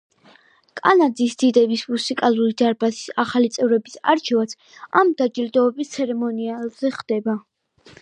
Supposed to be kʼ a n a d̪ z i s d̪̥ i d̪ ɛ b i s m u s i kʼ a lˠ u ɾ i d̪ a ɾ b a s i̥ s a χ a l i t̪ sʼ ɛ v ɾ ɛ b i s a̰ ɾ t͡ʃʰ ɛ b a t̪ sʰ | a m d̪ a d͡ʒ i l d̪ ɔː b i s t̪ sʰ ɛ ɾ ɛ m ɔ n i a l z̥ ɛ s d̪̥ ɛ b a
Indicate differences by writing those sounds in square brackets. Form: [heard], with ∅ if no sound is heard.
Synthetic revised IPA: kʼ a n a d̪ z i s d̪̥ i d̪ ɛ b i s m u s i kʼ a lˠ u ɾ i d̪ a ɾ b a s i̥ s a χ a l i t̪ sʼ ɛ v ɾ ɛ b i s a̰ ɾ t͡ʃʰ ɛ [v] a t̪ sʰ | a m d̪ a d͡ʒ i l d̪ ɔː b i s t̪ sʰ ɛ ɾ ɛ m ɔ n i a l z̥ ɛ [χ] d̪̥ ɛ b a